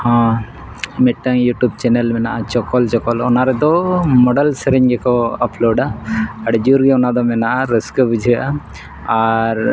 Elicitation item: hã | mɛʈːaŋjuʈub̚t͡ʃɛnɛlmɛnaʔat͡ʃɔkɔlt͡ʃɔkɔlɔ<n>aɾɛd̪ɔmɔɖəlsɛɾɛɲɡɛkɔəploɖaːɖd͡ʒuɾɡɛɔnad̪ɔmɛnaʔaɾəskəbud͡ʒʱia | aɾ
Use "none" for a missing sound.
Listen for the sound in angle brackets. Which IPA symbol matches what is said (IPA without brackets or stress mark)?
n